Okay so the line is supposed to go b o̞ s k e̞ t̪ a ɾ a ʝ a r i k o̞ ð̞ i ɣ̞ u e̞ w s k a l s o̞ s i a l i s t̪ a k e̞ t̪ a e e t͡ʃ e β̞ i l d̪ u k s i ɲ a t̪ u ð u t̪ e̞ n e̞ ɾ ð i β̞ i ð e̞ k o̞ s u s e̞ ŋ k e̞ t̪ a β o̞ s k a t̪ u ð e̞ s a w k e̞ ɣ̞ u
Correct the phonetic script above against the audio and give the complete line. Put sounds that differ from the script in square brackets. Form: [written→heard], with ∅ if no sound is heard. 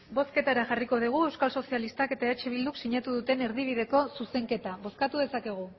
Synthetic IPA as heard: b o̞ s k e̞ t̪ a ɾ a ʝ a r i k o̞ ð̞ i ɣ̞ u e̞ w s k a l s o̞ s i a l i s t̪ a k e̞ t̪ a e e t͡ʃ e β̞ i l d̪ u k s i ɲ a t̪ u ð u t̪ e̞ n e̞ ɾ ð i β̞ i ð e̞ k o̞ s u s e̞ ŋ k e̞ t̪ a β o̞ s k a t̪ u ð e̞ s a [w→∅] k e̞ ɣ̞ u